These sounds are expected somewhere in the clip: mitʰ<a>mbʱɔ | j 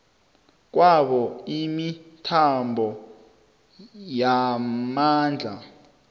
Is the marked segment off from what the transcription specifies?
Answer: no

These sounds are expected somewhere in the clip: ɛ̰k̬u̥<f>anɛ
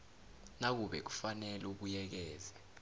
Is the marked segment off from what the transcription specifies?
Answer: no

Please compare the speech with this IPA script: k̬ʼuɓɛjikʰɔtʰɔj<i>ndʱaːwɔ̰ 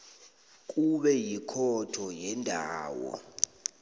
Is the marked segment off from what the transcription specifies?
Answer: yes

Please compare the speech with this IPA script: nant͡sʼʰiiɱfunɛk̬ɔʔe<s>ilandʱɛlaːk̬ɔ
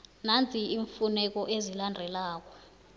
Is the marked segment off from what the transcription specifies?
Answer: yes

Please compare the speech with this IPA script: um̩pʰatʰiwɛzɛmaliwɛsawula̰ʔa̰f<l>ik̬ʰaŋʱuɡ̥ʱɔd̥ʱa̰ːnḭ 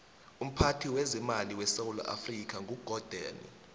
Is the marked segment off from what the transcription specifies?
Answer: yes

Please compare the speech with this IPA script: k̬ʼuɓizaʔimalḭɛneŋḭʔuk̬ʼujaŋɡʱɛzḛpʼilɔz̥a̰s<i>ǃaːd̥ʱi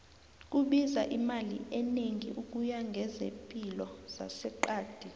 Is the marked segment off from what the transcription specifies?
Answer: yes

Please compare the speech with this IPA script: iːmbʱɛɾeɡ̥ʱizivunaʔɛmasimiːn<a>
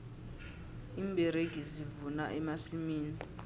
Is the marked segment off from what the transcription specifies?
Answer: yes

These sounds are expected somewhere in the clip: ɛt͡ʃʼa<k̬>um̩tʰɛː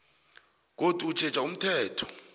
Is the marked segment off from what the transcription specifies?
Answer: yes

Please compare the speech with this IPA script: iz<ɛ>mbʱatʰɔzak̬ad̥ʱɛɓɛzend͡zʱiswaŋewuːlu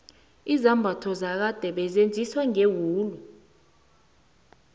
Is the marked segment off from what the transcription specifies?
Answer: yes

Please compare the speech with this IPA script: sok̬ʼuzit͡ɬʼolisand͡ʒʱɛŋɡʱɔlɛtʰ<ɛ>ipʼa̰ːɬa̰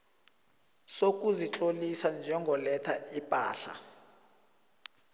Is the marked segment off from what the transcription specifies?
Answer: yes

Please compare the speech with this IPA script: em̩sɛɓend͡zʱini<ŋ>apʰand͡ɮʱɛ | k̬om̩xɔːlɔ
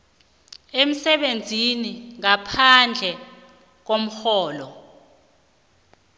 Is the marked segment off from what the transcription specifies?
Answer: no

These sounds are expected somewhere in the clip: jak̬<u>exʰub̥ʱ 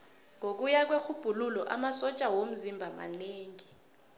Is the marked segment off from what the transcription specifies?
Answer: yes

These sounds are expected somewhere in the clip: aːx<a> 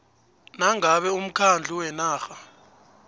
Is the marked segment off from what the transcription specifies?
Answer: no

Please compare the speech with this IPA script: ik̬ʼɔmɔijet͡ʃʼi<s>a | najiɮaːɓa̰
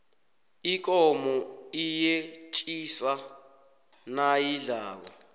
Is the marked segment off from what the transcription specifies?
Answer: no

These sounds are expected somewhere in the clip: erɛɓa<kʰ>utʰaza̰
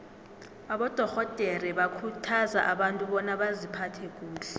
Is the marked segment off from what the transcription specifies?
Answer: no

